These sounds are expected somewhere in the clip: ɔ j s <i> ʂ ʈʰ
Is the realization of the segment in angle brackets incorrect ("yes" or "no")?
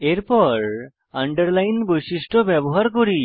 no